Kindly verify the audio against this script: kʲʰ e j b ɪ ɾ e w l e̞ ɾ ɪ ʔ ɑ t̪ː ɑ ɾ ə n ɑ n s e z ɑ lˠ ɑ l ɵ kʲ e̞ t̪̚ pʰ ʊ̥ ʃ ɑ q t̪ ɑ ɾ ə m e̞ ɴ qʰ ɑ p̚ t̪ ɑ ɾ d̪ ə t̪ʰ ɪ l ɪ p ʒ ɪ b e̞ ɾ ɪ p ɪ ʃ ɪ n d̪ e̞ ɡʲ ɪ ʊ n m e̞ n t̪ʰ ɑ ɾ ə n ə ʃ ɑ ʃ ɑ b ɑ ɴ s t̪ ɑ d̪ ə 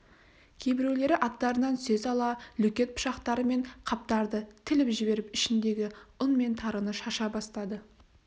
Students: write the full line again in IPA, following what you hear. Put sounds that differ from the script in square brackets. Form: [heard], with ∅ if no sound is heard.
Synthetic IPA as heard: kʲʰ e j b ɪ ɾ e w l e̞ ɾ ɪ ʔ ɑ t̪ː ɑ ɾ ə n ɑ n s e z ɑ lˠ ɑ l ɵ kʲ e̞ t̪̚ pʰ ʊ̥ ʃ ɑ q t̪ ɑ ɾ ə m e̞ ɴ qʰ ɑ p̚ t̪ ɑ ɾ d̪ ə t̪ʰ ɪ l ɪ p ʒ ɪ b e̞ ɾ ɪ p ɪ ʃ ɪ n d̪ e̞ ɡʲ ɪ ʊ n m e̞ n t̪ʰ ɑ ɾ ə n ə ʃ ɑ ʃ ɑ b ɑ [∅] s t̪ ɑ d̪ ə